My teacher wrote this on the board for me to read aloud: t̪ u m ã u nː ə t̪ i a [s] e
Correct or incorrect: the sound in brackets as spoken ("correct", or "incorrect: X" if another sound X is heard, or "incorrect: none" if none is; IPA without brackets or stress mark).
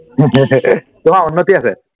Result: correct